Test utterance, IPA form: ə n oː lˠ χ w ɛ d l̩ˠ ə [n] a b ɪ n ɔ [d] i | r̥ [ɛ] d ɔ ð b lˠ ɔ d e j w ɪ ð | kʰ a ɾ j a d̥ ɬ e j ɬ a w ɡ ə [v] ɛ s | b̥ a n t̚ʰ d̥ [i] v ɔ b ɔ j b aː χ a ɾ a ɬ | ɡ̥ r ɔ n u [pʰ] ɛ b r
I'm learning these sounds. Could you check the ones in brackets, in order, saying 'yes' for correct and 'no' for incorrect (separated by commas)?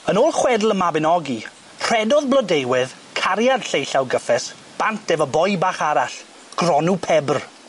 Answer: no, no, yes, no, no, yes